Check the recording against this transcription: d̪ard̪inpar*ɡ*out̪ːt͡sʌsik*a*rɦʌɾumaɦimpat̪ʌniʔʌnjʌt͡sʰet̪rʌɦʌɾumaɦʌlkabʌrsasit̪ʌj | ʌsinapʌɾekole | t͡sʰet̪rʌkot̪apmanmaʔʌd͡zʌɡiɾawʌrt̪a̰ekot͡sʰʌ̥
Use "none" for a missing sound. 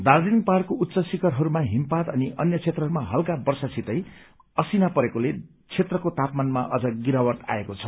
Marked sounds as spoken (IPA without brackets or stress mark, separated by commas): k, ʌ